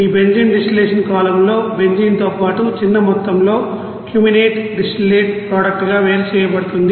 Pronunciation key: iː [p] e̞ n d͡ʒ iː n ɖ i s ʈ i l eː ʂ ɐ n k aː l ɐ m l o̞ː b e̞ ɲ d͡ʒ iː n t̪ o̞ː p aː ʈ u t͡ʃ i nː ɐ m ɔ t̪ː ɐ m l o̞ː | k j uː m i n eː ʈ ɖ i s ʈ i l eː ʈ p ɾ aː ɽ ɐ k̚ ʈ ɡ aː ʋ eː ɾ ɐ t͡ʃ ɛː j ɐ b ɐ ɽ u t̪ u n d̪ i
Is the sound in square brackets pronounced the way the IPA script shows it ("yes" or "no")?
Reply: no